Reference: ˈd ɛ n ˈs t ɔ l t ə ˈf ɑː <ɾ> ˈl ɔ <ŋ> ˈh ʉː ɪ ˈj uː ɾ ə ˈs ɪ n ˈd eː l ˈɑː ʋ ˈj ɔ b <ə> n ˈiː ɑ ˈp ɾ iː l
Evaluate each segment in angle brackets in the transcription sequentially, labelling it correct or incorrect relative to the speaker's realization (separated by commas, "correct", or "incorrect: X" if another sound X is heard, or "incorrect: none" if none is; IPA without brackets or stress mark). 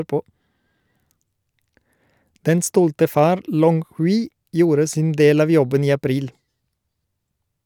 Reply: correct, correct, correct